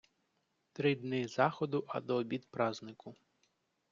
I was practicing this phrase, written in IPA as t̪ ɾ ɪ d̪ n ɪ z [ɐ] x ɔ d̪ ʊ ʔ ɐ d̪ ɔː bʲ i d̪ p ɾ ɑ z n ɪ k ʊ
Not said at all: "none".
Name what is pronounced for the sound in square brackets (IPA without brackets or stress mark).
ɑ